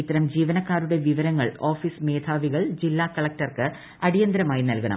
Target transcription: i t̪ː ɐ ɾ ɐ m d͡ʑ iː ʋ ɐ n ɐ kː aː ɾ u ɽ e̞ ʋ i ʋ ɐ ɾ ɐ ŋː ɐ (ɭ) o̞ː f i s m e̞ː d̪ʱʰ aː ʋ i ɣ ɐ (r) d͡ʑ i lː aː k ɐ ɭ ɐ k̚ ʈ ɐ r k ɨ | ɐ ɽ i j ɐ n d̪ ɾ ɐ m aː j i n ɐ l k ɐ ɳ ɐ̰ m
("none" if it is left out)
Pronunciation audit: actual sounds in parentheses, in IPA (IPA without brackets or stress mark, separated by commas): ɭ, ɭ